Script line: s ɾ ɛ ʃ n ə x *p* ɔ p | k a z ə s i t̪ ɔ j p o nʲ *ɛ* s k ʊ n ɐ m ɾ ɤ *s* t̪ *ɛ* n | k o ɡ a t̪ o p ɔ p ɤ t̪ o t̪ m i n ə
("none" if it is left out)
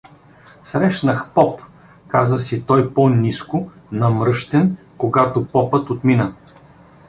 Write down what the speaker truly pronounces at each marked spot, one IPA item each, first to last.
p, i, ʃ, ɛ

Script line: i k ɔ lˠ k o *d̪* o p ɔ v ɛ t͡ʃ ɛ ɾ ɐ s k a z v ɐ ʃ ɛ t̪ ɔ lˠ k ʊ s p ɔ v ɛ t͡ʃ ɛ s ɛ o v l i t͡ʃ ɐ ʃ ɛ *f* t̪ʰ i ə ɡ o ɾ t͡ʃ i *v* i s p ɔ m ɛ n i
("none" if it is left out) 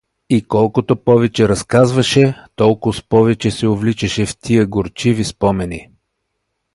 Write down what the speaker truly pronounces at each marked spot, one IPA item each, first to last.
t̪, f, v

